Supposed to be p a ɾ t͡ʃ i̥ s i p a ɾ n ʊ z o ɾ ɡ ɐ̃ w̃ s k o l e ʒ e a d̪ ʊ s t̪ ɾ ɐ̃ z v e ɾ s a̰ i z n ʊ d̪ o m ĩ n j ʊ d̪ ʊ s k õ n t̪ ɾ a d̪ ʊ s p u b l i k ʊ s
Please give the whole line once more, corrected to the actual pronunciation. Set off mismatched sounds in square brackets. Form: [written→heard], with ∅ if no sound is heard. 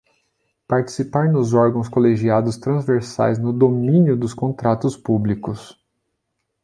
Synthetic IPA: p a ɾ t͡ʃ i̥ s i p a ɾ n ʊ z [o→ɔ] ɾ ɡ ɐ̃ w̃ s k o l e ʒ [e→i] a d̪ ʊ s t̪ ɾ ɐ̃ z v e ɾ s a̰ [i→j] z n ʊ d̪ o m ĩ n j ʊ d̪ ʊ s k õ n t̪ ɾ a [d̪→t̪] ʊ s p u b l i k ʊ s